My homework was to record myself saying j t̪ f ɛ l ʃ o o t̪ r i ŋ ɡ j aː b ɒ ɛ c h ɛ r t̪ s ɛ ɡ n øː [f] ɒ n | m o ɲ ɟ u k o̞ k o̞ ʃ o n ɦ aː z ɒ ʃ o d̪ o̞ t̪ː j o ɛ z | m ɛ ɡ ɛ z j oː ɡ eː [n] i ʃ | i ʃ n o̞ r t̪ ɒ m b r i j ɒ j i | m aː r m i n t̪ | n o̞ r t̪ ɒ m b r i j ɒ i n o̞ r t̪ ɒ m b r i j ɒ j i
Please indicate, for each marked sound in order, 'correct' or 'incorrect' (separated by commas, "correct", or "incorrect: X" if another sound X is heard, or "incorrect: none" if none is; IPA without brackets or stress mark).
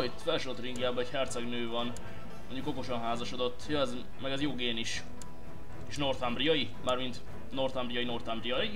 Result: incorrect: v, correct